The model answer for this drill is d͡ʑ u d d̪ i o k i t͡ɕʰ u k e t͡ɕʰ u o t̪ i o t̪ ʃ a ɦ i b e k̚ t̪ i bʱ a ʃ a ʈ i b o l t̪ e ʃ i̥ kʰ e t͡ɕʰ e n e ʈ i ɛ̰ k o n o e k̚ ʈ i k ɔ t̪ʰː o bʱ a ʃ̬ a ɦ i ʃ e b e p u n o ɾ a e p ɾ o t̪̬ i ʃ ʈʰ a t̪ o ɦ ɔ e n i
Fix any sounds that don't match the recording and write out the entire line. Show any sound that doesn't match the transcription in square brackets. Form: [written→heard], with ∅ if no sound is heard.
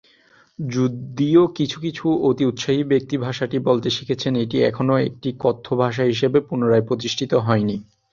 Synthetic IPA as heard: d͡ʑ u d d̪ i o k i t͡ɕʰ u k [e→i] t͡ɕʰ u o t̪ i [o→u] t̪ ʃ a ɦ i b e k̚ t̪ i bʱ a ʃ a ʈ i b o l t̪ e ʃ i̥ kʰ e t͡ɕʰ e n e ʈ i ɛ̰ [k→kʰ] o n o e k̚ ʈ i k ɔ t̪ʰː o bʱ a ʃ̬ a ɦ i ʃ e b e p u n o ɾ a e p ɾ o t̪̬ i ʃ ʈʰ [a→i] t̪ o ɦ ɔ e n i

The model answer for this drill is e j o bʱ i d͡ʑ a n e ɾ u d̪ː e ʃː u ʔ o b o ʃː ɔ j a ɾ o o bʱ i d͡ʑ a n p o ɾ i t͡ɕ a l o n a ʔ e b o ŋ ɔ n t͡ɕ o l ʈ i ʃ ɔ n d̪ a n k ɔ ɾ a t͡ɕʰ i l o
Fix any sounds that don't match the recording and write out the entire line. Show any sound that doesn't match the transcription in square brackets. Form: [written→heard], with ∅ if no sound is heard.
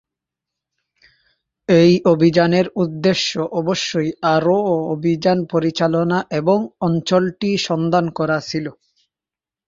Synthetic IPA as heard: e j o bʱ i d͡ʑ a n e ɾ u d̪ː e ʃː [u→o] ʔ [o→ɔ] b o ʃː [ɔ→o] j a ɾ o o bʱ i d͡ʑ a n p o ɾ i t͡ɕ a l o n a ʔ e b o ŋ ɔ n t͡ɕ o l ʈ i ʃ ɔ n d̪ a n k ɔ ɾ a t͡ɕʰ i l o

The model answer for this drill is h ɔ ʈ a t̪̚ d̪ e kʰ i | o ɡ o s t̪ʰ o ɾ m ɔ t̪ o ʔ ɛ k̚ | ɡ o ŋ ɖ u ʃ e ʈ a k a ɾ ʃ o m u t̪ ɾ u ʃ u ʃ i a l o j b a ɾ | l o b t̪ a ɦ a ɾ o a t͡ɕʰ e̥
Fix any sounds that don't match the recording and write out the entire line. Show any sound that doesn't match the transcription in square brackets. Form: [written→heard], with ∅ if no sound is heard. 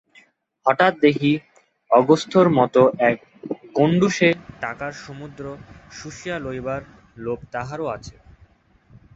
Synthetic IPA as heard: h ɔ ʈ a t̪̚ d̪ e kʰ i | [o→ɔ] ɡ o s t̪ʰ o ɾ m ɔ t̪ o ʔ ɛ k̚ | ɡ o [ŋ→ɳ] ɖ u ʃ e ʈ a k a ɾ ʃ o m u [t̪→d̪] ɾ [u→o] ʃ u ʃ i a l o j b a ɾ | l o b t̪ a ɦ a ɾ o a t͡ɕʰ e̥

